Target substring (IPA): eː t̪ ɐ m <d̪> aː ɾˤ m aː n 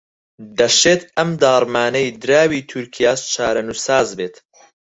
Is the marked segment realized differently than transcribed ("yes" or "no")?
no